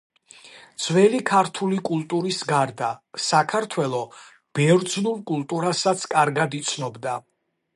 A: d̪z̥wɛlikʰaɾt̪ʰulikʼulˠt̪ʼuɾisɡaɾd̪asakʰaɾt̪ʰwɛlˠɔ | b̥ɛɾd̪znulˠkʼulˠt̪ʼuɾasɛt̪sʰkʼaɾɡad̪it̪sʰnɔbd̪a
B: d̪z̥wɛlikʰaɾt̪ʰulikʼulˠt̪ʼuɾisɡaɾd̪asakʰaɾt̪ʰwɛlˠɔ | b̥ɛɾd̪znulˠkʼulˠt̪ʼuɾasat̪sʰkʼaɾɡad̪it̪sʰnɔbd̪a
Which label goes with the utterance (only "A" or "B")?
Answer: B